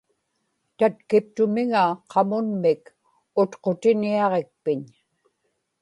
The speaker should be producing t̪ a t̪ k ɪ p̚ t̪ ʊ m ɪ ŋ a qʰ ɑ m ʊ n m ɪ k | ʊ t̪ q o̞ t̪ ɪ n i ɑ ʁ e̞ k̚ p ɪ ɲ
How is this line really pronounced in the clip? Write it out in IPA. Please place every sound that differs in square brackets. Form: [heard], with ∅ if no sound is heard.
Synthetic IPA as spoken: t̪ a t̪ k ɪ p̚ t̪ ʊ m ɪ ŋ a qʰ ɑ m ʊ n m ɪ k | ʊ t̪ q o̞ t̪ ɪ n i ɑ ʁ e̞ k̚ p ɪ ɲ